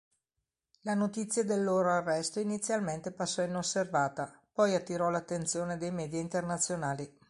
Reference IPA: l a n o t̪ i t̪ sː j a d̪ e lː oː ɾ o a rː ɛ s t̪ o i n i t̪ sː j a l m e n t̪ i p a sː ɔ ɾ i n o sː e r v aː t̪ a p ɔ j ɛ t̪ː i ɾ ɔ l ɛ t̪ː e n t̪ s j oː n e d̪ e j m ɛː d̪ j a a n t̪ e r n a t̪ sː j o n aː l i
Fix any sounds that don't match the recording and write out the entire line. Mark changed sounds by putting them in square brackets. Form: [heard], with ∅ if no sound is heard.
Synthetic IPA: l a n o t̪ i t̪ sː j a d̪ e lː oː ɾ o a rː ɛ s t̪ o i n i t̪ sː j a l m e n t̪ [e] p a sː ɔ [∅] i n o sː e r v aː t̪ a p ɔ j [a] t̪ː i ɾ ɔ l [a] t̪ː e n t̪ s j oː n e d̪ e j m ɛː d̪ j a [i] n t̪ e r n a t̪ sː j o n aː l i